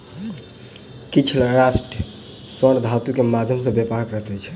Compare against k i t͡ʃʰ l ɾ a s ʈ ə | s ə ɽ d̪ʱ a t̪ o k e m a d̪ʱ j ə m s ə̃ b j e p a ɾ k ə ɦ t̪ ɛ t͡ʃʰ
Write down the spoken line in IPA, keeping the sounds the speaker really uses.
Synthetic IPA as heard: k i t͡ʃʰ l ɾ a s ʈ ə | s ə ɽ d̪ʱ a t̪ u k e m a d̪ʱ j ə m s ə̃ b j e p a ɾ k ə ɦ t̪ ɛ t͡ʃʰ